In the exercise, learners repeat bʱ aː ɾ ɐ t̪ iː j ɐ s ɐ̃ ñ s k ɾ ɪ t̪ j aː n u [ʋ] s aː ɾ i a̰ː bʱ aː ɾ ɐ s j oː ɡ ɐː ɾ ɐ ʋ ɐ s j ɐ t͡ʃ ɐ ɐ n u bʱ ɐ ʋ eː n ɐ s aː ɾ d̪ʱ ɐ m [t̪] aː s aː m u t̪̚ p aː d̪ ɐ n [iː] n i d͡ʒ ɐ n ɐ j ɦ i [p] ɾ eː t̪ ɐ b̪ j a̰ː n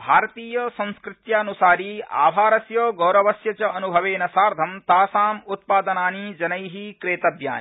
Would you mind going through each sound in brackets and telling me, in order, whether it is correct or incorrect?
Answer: incorrect, correct, incorrect, incorrect

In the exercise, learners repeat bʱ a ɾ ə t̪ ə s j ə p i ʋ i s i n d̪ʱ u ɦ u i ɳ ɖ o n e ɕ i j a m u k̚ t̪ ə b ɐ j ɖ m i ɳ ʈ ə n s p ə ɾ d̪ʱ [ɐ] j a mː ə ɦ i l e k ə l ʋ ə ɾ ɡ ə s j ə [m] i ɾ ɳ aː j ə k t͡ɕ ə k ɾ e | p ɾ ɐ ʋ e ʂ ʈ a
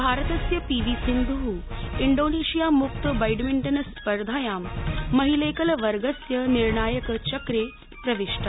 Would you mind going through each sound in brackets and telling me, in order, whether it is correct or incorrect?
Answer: incorrect, incorrect

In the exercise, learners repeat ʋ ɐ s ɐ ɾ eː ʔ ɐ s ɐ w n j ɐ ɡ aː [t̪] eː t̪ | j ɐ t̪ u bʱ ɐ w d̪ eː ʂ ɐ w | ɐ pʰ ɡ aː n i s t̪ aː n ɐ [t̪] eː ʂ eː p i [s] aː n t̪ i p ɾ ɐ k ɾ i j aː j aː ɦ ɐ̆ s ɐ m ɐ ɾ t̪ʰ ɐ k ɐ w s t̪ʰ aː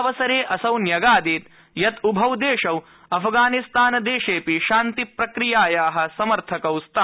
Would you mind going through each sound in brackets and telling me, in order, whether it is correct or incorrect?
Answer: incorrect, incorrect, incorrect

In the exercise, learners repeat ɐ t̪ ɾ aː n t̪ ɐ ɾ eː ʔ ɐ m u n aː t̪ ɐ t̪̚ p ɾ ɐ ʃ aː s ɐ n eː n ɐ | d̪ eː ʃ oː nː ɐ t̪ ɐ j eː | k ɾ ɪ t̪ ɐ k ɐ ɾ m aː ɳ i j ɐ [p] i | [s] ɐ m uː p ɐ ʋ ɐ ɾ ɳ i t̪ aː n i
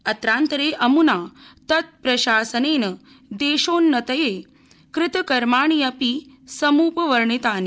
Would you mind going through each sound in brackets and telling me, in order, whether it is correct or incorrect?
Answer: correct, correct

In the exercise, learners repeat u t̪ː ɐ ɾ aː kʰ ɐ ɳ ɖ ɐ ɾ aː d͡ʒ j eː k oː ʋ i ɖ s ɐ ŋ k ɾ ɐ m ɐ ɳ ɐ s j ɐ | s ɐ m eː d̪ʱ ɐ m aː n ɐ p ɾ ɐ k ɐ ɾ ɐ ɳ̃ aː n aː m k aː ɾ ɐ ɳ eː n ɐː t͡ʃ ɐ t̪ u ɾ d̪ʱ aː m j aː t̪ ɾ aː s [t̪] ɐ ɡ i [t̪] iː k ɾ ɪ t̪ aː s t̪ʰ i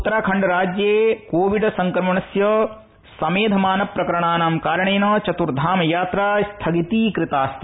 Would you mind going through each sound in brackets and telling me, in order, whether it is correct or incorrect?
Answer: incorrect, correct

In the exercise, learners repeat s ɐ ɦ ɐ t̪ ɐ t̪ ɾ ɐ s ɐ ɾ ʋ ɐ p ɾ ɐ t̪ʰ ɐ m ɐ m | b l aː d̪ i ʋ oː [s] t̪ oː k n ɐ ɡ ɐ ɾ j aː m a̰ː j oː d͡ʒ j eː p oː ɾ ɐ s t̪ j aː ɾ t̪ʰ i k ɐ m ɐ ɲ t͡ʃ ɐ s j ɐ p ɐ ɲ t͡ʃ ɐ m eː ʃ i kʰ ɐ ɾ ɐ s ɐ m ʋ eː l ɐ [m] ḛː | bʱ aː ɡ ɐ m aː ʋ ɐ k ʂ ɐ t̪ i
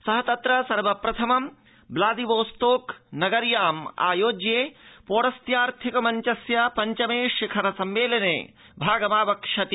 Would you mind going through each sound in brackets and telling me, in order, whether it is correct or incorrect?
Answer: correct, incorrect

